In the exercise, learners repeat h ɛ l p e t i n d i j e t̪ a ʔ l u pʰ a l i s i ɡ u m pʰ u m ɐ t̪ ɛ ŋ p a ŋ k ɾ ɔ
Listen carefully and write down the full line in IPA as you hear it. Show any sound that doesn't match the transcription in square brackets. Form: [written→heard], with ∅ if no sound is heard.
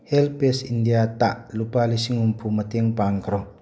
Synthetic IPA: h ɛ l p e [t→s] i n d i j [e→a] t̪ a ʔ l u [pʰ→p] a l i s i [ɡ→ŋ] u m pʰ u m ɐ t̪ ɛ ŋ p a ŋ k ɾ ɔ